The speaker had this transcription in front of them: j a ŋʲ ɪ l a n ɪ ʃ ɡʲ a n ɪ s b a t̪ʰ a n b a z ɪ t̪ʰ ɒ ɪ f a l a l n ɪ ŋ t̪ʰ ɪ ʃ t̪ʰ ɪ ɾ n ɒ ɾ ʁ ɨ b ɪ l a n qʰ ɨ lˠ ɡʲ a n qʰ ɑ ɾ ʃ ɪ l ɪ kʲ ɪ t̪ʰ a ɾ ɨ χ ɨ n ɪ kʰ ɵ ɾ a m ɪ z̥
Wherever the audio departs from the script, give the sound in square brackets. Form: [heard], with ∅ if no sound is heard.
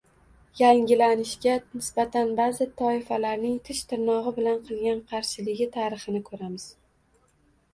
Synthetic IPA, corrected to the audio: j a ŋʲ ɪ l a n ɪ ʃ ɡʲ a n ɪ s b a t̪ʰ a n b a z ɪ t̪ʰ ɒ ɪ f a l a [ɾ] n ɪ ŋ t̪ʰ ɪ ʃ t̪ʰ ɪ ɾ n ɒ [∅] ʁ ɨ b ɪ l a n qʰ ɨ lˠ ɡʲ a n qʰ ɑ ɾ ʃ ɪ l ɪ [ɡʲ] ɪ t̪ʰ a ɾ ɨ χ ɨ n ɪ kʰ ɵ ɾ a m ɪ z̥